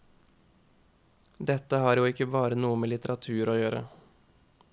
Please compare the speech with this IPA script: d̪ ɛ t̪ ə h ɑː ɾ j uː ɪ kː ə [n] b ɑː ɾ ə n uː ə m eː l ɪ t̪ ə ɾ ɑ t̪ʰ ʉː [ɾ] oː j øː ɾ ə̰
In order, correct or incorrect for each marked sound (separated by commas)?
incorrect, correct